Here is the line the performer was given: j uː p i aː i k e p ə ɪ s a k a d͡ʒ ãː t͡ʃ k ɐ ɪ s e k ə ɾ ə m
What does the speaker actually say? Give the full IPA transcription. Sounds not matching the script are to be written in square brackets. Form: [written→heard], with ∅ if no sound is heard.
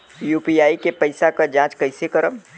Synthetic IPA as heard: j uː p i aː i k e p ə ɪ s a k a d͡ʒ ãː t͡ʃ k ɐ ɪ s e k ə ɾ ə m